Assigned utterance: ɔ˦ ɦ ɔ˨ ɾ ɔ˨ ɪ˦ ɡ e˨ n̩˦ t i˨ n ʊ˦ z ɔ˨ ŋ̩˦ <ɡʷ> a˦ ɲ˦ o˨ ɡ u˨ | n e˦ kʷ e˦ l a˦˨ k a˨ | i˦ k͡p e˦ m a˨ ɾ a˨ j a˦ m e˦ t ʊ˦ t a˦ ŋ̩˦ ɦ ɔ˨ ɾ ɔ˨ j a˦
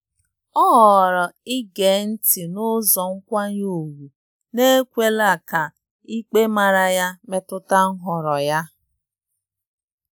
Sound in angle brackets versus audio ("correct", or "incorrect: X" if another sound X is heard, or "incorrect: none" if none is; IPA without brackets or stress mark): incorrect: kʷ